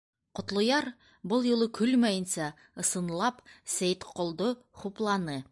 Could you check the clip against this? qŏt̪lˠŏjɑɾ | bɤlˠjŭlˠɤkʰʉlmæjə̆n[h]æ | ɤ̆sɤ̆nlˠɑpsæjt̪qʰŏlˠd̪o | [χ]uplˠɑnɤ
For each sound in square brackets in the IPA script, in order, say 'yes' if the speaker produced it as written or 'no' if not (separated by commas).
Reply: no, yes